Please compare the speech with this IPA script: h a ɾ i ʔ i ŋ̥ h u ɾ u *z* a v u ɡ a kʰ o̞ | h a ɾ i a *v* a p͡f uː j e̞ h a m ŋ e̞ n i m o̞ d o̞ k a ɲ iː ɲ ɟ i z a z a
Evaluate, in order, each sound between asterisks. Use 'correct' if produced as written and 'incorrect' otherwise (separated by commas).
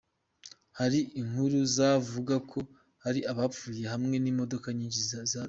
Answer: correct, incorrect